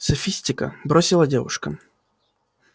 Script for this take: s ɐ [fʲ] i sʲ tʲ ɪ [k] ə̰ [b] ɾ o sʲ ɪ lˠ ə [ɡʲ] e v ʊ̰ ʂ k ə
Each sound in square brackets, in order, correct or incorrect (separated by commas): correct, correct, correct, incorrect